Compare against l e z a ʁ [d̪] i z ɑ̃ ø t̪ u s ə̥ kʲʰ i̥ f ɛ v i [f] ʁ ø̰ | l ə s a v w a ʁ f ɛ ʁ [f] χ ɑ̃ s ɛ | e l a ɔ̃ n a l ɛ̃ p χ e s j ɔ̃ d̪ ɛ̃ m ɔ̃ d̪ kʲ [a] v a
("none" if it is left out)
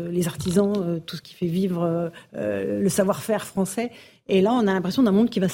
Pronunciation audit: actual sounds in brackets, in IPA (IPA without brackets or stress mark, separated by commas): t̪, v, f, i